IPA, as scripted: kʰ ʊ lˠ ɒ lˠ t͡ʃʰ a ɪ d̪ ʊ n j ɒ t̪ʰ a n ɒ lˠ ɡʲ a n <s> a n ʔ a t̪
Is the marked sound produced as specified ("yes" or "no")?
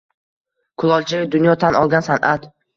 yes